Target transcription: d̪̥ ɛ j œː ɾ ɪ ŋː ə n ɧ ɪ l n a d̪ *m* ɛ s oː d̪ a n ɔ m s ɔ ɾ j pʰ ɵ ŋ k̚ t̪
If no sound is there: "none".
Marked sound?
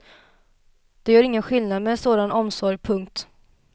m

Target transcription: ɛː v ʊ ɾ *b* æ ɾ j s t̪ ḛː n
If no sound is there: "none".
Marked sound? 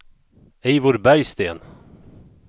b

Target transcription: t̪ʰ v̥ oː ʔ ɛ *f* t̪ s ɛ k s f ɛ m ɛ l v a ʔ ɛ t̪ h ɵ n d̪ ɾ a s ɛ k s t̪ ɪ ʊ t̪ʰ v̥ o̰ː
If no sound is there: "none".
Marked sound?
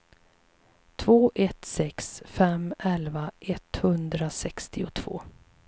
none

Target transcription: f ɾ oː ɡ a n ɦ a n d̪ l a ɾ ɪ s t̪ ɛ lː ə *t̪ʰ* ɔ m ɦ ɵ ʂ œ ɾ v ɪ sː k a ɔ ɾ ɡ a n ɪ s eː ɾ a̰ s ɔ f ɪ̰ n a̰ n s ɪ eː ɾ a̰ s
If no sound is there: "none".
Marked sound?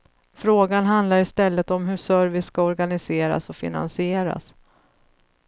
t̪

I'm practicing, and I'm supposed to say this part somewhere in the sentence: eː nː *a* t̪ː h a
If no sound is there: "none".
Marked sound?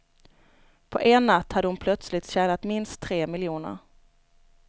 a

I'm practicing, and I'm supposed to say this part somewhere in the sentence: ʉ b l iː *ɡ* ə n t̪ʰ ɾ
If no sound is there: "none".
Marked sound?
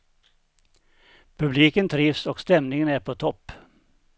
k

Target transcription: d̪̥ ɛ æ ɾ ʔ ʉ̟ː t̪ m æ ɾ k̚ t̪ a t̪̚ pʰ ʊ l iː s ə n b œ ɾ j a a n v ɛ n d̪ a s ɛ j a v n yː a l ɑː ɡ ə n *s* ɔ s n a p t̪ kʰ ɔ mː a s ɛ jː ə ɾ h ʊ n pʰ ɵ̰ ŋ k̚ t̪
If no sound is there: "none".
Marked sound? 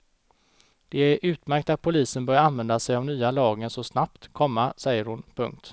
s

